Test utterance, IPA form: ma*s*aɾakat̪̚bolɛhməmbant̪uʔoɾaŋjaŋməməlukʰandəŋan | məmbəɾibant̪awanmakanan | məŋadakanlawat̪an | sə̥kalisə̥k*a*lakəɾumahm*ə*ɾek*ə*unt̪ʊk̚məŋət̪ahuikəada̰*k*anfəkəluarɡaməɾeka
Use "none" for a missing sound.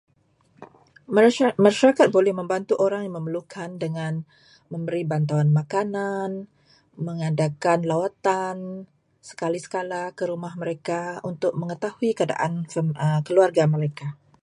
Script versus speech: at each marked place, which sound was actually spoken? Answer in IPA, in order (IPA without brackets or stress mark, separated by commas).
ʃ, a, ə, a, ʔ